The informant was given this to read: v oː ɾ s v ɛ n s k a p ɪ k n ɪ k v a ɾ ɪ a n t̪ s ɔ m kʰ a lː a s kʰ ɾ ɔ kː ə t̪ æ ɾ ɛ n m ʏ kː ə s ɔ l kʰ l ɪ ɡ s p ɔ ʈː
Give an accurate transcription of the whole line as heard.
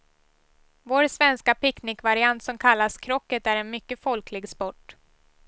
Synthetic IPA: v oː ɾ s v ɛ n s k a p ɪ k n ɪ k v a ɾ ɪ a n t̪ s ɔ m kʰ a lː a s kʰ ɾ ɔ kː ə t̪ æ ɾ ɛ n m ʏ kː ə f ɔ l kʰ l ɪ ɡ s p ɔ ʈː